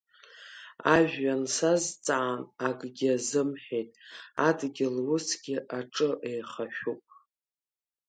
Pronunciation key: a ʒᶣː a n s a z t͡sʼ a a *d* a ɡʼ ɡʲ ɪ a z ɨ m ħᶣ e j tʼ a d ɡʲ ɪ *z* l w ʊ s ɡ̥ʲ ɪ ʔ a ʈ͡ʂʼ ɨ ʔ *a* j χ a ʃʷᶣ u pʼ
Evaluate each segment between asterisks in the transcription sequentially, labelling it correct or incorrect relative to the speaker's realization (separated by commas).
incorrect, incorrect, incorrect